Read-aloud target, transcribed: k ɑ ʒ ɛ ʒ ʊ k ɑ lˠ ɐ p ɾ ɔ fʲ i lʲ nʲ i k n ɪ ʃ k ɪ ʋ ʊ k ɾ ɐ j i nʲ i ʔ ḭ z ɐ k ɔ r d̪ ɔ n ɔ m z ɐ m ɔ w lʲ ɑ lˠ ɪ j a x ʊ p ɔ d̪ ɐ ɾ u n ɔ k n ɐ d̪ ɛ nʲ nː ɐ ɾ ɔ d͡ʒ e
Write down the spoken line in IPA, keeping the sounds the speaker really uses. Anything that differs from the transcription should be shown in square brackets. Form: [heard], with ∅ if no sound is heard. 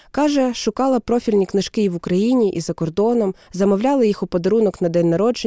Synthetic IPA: k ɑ ʒ ɛ [ʃ] ʊ k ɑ lˠ ɐ p ɾ ɔ fʲ i lʲ nʲ i k n ɪ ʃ k ɪ ʋ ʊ k ɾ ɐ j i nʲ i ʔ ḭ z ɐ k ɔ r d̪ ɔ n ɔ m z ɐ m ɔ w lʲ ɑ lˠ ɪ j [i] x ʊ p ɔ d̪ ɐ ɾ u n ɔ k n ɐ d̪ ɛ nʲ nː ɐ ɾ ɔ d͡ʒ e